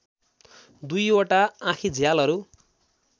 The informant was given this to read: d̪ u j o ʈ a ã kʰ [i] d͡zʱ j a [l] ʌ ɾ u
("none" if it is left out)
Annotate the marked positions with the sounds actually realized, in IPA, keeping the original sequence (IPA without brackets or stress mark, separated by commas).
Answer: i, l